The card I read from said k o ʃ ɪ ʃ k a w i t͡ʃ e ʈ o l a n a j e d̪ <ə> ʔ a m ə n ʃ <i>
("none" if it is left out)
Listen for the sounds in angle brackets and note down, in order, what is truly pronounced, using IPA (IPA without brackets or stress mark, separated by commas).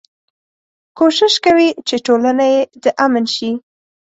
ə, i